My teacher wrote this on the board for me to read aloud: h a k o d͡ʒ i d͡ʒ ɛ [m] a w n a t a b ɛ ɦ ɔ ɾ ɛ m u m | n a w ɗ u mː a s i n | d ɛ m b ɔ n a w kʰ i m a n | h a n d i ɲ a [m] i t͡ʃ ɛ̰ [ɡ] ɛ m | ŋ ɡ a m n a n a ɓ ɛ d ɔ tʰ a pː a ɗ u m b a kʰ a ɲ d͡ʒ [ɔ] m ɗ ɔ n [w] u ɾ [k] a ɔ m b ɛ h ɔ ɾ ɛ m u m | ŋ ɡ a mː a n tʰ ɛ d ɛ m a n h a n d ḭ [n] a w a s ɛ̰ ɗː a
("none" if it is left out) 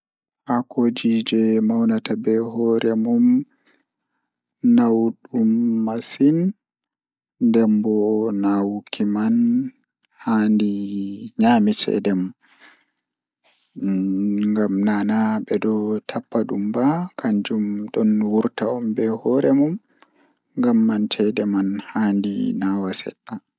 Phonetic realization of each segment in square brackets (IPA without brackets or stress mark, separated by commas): m, m, d, u, w, t, n